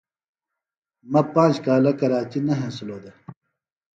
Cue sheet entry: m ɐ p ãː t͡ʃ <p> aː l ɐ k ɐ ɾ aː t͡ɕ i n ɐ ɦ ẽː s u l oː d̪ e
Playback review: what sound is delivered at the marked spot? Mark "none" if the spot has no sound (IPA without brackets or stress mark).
k